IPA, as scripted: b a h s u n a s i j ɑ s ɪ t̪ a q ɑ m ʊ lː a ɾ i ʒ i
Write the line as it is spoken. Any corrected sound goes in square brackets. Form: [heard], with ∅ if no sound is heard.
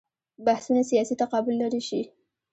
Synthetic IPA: b a h s u n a s i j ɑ s [i] t̪ a q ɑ [b] ʊ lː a ɾ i [ʃ] i